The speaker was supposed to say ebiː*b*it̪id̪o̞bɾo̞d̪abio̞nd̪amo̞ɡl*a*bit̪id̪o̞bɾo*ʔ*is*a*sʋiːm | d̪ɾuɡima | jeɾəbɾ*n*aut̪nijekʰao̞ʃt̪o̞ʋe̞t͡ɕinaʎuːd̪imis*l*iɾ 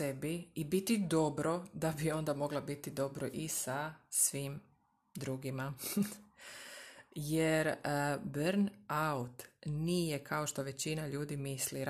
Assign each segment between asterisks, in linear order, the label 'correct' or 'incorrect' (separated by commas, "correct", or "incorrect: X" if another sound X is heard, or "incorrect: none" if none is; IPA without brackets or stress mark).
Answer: correct, correct, correct, correct, correct, correct